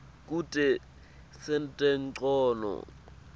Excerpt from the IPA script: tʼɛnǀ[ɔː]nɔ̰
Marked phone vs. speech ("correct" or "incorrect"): correct